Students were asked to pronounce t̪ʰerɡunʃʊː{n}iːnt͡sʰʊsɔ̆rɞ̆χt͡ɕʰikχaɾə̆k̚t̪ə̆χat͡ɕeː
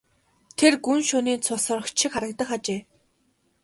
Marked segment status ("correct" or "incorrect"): correct